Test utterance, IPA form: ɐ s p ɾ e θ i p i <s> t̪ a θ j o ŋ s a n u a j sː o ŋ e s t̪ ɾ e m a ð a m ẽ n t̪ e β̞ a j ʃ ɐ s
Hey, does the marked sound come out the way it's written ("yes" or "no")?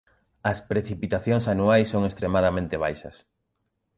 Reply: no